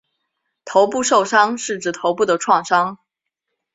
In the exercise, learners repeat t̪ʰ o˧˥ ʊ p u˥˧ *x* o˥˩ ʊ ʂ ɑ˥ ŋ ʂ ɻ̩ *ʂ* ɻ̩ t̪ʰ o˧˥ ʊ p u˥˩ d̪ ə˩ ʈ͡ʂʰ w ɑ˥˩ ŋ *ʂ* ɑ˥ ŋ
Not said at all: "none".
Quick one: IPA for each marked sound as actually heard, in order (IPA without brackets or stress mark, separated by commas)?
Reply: ʂ, ʈ͡ʂ, ʂ